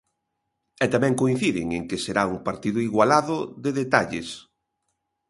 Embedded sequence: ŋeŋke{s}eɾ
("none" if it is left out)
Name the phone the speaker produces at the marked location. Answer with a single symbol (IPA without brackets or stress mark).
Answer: s